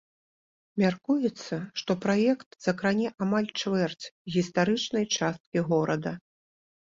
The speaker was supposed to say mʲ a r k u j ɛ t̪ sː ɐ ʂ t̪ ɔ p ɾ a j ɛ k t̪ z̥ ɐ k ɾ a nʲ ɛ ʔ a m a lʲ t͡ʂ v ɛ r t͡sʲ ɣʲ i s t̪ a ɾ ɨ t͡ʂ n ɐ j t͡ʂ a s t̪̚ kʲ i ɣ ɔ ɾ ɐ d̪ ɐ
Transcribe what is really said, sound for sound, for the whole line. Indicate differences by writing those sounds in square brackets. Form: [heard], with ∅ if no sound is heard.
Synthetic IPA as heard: mʲ a r k u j ɛ t̪ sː ɐ ʂ t̪ ɔ p ɾ a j ɛ k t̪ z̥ ɐ k ɾ a nʲ ɛ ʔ a m a lʲ t͡ʂ v ɛ r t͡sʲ ɣʲ i s t̪ a ɾ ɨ t͡ʂ n ɐ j t͡ʂ a s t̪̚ kʲ i ɣ ɔ ɾ ɐ d̪ ɐ